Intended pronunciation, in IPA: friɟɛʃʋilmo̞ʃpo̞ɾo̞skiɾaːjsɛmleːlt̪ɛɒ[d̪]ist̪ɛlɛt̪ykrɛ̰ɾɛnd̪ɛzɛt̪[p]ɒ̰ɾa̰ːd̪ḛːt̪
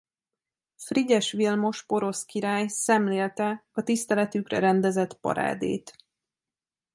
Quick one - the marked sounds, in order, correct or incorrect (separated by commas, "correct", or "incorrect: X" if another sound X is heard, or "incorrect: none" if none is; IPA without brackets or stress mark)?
incorrect: t̪, correct